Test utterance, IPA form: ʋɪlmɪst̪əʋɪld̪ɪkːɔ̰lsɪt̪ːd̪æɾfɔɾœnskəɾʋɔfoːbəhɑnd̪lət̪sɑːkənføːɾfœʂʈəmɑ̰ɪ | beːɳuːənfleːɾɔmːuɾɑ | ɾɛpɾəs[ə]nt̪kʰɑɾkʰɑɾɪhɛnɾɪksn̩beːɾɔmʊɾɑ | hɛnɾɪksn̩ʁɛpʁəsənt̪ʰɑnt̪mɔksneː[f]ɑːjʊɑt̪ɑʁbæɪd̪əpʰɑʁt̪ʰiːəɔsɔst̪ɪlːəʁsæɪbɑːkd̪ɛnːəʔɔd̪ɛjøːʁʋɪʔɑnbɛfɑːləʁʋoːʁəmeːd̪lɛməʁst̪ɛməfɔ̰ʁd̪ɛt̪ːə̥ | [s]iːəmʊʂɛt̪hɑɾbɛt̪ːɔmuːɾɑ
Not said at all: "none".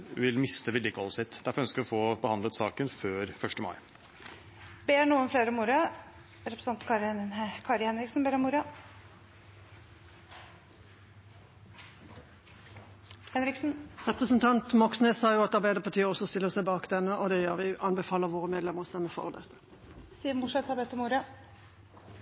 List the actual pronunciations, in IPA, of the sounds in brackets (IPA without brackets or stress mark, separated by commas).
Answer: ɑ, s, s